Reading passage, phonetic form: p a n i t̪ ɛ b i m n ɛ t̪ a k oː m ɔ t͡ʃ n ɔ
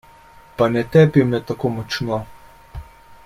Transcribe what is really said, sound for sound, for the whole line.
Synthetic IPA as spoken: p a n ɛ t̪ ɛ p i m n ɛ t̪ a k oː m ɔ t͡ʃ n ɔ

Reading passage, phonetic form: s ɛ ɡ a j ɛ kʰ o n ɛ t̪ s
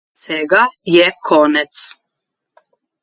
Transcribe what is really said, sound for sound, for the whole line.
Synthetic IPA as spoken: s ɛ ɡ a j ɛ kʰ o n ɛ t̪ s

